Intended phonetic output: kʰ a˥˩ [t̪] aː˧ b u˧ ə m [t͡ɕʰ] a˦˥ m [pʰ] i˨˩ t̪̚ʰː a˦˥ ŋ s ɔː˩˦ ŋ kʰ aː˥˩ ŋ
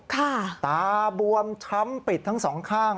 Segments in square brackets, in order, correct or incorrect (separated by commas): correct, correct, incorrect